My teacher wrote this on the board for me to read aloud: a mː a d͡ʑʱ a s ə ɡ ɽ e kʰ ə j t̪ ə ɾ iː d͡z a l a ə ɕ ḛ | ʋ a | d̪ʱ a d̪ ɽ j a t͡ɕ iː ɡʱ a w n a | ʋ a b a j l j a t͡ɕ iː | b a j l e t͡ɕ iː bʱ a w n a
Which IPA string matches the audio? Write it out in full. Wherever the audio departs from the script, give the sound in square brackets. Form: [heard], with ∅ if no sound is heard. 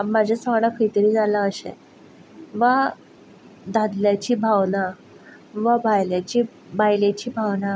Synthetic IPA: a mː a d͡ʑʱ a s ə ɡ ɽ [a] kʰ ə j t̪ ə ɾ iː d͡z a l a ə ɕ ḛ | ʋ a | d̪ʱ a d̪ [l] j a t͡ɕ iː [bʱ] a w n a | ʋ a b a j l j a t͡ɕ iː | b a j l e t͡ɕ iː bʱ a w n a